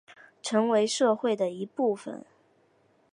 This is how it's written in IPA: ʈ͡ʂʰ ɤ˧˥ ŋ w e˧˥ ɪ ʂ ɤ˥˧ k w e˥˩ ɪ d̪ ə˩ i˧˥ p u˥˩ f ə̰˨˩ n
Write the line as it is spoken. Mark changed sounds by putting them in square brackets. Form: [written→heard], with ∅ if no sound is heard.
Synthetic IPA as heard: ʈ͡ʂʰ ɤ˧˥ ŋ w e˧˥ ɪ ʂ ɤ˥˧ [k→x] w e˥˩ ɪ d̪ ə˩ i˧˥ p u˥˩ f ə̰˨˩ n